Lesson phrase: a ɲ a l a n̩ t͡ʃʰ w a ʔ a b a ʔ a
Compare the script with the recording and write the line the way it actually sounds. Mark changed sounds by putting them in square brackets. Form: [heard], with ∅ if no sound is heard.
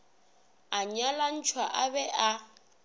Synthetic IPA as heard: a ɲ a l a n̩ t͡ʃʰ w a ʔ a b [ɛ] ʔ a